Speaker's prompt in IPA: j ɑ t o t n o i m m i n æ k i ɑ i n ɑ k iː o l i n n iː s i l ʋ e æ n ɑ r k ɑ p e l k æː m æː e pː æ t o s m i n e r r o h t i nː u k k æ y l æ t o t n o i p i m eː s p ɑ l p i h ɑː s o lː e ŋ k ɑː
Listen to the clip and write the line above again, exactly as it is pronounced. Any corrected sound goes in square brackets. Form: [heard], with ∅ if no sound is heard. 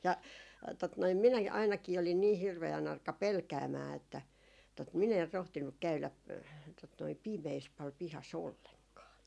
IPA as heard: j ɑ t o t n o i m m i n æ k i ɑ i n ɑ k iː o l i n n iː [h] i [r] ʋ e æ n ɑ r k ɑ p e l k æː m æː e [tː] æ t o [t] m i n e r r o h t i nː u k k æ y l æ t o t n o i p i m eː s p ɑ l p i h [ɑ] s o lː e ŋ k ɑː